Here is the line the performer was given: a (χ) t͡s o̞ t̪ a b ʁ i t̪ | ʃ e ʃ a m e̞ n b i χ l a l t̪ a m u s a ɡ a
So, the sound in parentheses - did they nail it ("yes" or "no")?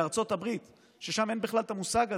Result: no